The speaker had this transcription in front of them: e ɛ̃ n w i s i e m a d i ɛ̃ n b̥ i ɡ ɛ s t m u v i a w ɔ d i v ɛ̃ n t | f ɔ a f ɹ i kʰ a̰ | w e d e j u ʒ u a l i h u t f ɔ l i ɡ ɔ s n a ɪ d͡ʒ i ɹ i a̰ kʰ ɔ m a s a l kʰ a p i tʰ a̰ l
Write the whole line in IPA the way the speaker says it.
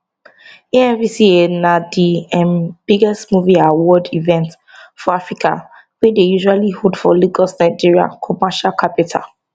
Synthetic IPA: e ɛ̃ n v i s i e n a d i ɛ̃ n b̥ i ɡ ɛ s t m u v i a w ɔ d i v ɛ̃ n t | f ɔ a f ɹ i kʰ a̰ | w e d e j u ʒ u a l i h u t f ɔ l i ɡ ɔ s n a ɪ d͡ʒ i ɹ i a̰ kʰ ɔ m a ʃ a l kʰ a p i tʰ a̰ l